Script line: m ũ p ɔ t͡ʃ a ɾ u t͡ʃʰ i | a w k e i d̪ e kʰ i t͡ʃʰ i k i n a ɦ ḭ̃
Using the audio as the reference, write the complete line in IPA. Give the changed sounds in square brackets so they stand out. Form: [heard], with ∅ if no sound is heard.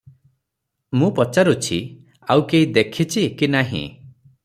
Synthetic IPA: m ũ p ɔ t͡ʃ a ɾ u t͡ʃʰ i | a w k e i d̪ e kʰ i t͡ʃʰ i k i n a ɦ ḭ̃